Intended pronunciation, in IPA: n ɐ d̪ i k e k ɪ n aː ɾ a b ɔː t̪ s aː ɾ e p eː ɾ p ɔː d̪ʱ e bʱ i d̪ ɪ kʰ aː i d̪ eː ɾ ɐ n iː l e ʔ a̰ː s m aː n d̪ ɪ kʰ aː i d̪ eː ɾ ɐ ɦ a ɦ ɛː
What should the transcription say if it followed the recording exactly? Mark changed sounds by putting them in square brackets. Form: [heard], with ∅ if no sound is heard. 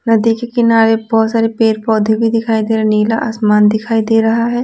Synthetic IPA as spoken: n ɐ d̪ i k e k ɪ n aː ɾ [e] b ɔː t̪ s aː ɾ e p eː ɾ p ɔː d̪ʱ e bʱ i d̪ ɪ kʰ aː i d̪ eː ɾ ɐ n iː l [a] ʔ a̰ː s m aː n d̪ ɪ kʰ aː i d̪ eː ɾ ɐ ɦ a ɦ ɛː